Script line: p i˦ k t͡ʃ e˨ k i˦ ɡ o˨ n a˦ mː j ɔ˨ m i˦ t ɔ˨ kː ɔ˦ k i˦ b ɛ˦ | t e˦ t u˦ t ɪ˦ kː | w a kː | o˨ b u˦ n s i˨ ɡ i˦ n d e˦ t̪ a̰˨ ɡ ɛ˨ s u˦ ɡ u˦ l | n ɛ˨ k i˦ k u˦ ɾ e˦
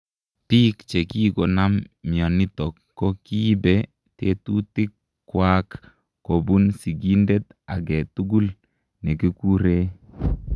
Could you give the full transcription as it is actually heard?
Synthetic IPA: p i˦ k t͡ʃ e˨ k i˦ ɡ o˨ n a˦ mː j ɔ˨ n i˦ t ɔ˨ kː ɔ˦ k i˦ b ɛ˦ | t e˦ t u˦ t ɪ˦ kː | w a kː | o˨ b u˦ n s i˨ ɡ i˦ n d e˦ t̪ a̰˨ ɡ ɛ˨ t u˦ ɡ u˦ l | n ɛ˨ k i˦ k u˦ ɾ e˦